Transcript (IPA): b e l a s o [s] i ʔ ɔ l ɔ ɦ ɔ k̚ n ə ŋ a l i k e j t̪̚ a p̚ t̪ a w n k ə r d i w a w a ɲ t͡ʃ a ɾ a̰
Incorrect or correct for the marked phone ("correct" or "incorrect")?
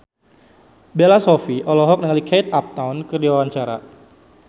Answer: incorrect